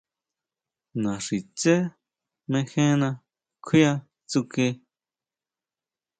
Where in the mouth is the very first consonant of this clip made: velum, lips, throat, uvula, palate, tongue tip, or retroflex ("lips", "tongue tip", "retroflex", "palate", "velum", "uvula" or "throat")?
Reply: tongue tip